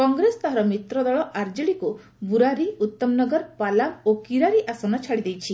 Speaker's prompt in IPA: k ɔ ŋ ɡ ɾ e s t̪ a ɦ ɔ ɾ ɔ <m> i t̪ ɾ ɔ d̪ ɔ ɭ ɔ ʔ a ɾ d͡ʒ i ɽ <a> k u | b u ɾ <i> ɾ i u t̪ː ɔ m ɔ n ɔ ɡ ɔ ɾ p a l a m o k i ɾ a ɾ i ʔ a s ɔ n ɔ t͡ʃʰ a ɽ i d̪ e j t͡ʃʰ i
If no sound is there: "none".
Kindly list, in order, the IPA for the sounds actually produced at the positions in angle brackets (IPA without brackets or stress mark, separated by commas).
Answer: m, i, a